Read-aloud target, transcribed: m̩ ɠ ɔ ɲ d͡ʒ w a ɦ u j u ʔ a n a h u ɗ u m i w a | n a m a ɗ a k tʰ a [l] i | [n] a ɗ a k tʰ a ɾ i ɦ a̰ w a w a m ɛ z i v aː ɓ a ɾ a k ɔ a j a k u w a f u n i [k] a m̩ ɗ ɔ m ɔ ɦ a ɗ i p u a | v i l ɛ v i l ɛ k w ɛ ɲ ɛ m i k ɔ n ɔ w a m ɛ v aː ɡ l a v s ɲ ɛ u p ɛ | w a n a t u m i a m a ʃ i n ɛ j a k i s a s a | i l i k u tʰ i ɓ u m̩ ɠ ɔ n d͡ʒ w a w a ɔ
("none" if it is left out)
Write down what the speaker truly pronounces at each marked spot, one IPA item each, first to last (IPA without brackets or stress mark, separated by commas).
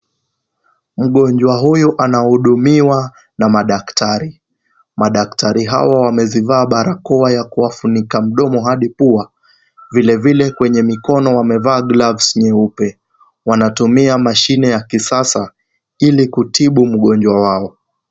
ɾ, m, k